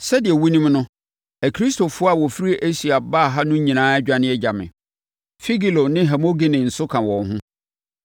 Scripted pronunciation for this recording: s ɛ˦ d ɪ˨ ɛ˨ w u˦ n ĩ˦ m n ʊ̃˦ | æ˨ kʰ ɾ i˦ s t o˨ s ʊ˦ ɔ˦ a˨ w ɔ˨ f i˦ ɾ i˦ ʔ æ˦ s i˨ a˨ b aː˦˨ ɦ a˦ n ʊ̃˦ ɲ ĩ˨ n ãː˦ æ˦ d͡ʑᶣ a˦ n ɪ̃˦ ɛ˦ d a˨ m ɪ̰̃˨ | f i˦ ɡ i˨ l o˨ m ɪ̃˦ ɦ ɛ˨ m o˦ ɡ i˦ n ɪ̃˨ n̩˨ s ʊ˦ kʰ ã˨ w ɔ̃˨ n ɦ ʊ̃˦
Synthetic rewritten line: s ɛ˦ d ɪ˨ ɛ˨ w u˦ n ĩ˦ m n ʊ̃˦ | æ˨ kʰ ɾ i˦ s t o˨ f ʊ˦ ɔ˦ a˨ w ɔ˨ f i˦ ɾ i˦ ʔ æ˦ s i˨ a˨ b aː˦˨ ɦ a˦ n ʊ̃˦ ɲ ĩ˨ n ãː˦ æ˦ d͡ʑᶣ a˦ n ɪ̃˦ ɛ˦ d͡ʑ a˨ m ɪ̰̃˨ | f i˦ ɡ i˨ l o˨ n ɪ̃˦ ɦ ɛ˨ m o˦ ɡ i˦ n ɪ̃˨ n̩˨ s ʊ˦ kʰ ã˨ w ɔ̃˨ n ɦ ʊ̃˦